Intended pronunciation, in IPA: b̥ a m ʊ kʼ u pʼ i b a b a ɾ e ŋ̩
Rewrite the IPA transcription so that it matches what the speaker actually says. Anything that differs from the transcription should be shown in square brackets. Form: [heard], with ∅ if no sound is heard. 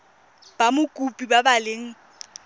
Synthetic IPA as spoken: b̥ a m ʊ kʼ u pʼ i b a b a [l] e ŋ̩